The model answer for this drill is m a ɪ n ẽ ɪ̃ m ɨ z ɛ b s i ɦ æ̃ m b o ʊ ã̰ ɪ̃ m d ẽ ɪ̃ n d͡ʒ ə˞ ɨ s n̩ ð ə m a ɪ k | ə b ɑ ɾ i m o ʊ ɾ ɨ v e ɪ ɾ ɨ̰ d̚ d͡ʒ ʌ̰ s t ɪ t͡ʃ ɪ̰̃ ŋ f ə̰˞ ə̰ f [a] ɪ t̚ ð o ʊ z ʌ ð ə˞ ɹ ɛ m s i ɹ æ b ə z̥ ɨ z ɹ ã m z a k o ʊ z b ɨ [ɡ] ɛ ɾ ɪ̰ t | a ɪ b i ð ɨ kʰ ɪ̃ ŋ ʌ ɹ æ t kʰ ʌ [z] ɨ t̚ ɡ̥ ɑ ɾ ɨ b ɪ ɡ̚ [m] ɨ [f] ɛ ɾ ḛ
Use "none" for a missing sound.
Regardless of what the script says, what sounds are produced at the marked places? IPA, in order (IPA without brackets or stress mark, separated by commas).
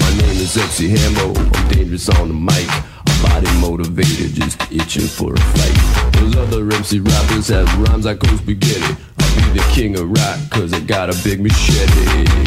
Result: a, ɡ, z, m, ʃ